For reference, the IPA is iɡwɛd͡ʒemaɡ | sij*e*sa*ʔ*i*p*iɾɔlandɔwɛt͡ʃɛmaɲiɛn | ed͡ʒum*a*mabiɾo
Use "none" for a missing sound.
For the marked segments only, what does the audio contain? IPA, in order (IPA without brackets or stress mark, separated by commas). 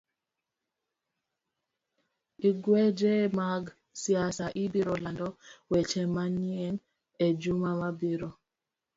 a, ʔ, b, a